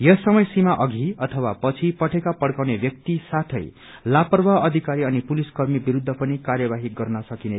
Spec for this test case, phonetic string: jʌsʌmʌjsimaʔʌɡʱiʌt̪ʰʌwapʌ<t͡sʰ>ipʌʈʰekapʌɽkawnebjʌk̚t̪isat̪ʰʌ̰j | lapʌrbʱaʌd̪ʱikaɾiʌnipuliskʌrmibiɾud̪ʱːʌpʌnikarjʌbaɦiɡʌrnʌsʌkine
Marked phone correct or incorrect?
correct